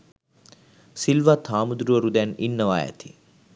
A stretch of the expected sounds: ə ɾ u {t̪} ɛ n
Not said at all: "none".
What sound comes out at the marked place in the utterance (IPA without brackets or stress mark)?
d̪